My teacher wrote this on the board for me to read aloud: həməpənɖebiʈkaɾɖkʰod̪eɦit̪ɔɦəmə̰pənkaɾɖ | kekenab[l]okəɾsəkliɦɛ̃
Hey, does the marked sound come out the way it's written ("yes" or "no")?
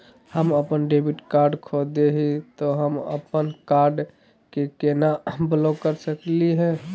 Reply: yes